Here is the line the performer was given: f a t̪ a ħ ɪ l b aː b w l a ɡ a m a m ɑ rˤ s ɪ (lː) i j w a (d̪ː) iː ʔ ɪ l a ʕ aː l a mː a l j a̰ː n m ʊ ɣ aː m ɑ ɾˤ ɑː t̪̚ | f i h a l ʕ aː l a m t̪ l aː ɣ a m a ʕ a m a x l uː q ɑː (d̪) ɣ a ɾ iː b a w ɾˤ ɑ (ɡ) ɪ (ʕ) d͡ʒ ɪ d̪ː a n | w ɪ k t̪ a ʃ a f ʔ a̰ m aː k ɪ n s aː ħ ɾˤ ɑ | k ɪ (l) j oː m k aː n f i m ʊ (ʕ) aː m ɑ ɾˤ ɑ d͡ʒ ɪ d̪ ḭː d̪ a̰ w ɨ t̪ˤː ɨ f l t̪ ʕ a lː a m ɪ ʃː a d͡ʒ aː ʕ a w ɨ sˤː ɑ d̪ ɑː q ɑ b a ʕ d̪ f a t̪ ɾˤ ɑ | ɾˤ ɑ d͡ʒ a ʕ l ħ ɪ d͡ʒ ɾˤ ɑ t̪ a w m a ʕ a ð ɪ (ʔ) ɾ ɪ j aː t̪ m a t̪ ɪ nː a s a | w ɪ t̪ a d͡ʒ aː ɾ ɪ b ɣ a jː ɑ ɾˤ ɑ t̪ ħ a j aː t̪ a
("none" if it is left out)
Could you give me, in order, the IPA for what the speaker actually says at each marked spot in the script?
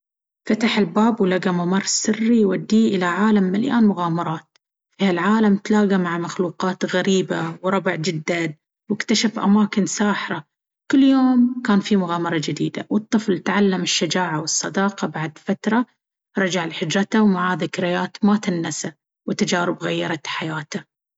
rː, d̪ː, t̪, b, ʕ, lː, ɣ, k

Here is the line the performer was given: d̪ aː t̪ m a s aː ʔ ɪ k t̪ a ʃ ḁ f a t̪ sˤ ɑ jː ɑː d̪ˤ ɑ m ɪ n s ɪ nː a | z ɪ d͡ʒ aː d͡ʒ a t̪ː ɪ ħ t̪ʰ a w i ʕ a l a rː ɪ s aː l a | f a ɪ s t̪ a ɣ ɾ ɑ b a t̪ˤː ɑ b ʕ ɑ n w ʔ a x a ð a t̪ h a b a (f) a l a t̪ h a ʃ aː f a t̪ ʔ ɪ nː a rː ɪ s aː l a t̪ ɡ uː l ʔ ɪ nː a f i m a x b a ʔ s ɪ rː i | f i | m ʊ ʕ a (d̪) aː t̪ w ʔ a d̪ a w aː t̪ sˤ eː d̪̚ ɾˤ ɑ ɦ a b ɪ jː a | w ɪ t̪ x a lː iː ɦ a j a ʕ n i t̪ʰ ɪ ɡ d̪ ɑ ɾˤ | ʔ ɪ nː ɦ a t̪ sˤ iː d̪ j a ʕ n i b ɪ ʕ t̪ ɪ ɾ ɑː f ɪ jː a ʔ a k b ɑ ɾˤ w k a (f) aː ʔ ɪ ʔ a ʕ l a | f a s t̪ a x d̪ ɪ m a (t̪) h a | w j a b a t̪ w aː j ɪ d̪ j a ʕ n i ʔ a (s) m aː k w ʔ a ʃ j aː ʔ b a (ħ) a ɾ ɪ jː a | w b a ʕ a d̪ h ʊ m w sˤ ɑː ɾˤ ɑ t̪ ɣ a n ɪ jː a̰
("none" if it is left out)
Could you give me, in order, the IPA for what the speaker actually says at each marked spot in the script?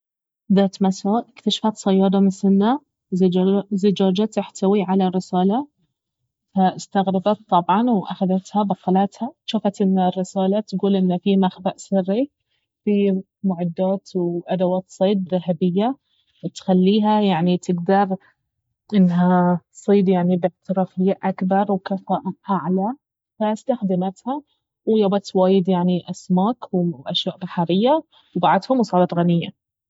x, d̪ː, f, t̪, s, ħ

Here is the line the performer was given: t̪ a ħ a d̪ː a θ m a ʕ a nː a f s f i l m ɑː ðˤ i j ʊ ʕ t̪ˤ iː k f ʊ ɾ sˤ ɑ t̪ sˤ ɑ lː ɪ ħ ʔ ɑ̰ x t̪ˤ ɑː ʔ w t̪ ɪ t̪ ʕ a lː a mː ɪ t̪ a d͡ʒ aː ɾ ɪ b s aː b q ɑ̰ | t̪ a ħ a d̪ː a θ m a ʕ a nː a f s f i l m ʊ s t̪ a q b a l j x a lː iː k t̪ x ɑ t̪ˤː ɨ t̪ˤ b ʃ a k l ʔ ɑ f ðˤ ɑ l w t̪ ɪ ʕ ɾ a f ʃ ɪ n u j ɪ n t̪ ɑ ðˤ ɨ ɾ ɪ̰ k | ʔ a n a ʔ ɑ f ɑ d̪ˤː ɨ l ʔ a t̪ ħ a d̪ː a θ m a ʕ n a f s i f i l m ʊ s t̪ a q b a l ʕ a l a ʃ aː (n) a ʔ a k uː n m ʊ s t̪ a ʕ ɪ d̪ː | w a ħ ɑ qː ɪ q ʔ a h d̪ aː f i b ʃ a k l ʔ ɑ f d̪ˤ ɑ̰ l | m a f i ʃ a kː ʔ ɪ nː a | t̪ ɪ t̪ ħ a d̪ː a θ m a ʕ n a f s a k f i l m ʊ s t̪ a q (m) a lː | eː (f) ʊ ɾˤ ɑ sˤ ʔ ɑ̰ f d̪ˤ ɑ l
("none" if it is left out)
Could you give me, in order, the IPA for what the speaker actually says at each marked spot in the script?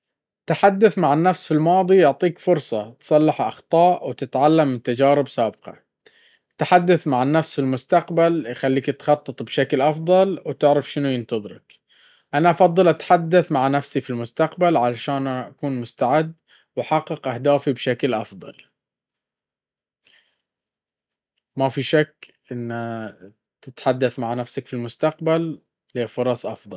n, b, f

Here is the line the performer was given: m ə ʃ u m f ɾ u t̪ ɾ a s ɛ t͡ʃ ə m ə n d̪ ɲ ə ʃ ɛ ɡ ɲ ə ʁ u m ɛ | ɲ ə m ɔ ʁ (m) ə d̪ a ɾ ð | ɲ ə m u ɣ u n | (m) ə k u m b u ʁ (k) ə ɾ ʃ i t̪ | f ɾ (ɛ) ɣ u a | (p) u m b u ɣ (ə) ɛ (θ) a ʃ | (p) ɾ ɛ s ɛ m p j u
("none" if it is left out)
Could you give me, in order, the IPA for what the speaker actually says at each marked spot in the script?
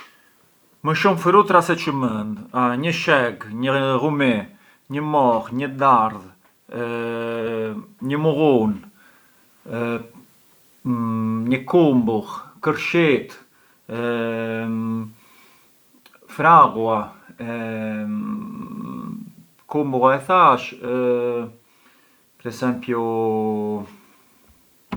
ɲ, ɲ, k, a, k, a, θ, p

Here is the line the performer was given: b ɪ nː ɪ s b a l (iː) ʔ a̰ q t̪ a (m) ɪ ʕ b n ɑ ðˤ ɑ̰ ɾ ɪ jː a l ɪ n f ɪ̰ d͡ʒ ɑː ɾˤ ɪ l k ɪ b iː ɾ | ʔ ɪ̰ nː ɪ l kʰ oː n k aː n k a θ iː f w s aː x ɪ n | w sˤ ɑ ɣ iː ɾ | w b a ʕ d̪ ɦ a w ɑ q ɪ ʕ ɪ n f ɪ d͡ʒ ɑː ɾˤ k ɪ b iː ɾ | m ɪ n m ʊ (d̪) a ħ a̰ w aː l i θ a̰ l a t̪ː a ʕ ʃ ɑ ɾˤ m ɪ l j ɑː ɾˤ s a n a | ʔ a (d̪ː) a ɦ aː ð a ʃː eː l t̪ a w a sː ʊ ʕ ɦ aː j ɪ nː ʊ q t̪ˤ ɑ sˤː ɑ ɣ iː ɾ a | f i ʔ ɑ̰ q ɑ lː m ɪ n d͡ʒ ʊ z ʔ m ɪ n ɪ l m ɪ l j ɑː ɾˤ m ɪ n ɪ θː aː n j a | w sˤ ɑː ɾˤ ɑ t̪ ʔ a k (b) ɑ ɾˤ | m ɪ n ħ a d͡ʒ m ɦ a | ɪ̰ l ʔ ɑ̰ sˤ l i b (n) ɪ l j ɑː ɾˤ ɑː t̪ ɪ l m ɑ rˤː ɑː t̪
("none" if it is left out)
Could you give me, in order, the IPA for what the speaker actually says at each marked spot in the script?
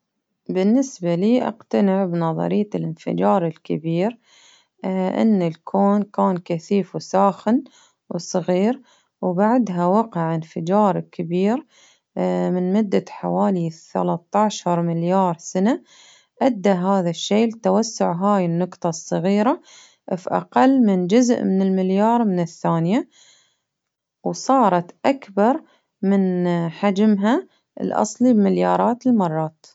iː, n, d̪ː, d̪ː, b, m

